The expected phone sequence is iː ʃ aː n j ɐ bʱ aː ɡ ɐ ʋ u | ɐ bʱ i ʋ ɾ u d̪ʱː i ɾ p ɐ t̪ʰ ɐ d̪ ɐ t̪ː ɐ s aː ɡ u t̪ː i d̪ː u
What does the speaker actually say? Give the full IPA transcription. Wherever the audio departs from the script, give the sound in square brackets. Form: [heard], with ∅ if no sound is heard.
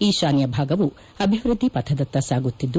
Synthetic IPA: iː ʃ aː n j ɐ bʱ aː ɡ ɐ ʋ u | ɐ bʱ i ʋ ɾ u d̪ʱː i [∅] p ɐ t̪ʰ ɐ d̪ ɐ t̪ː ɐ s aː ɡ u t̪ː i d̪ː u